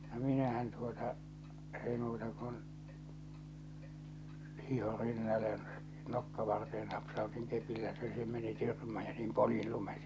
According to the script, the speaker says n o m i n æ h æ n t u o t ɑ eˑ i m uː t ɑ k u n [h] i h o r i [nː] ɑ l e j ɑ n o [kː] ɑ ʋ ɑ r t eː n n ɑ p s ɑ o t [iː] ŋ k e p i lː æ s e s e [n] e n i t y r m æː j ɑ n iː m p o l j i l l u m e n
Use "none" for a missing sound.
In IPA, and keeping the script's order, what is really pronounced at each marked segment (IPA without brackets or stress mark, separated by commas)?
h, nː, kː, i, m